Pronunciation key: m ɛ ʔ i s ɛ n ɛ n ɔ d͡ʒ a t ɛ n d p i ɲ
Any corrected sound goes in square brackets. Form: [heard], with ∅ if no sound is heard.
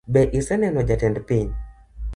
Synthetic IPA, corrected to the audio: [b] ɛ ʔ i s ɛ n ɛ n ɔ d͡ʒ a t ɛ n d p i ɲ